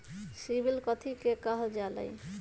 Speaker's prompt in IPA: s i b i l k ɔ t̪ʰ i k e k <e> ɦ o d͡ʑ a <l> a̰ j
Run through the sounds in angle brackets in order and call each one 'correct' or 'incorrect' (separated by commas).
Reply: incorrect, correct